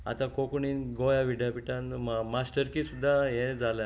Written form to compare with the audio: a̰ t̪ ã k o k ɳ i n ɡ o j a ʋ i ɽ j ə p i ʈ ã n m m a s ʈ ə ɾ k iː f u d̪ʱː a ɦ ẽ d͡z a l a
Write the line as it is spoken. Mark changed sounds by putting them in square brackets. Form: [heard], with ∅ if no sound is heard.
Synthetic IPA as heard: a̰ t̪ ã k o k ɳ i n ɡ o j a ʋ i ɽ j [a] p i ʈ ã n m m a s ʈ ə ɾ k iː [s] u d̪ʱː a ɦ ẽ d͡z a l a